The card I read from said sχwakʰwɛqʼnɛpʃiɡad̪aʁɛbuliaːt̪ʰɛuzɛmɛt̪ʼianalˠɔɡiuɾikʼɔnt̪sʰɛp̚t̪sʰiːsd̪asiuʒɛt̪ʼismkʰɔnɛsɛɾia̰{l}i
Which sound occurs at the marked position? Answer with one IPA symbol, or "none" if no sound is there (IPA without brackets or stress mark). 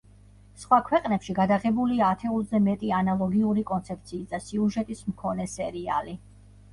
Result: l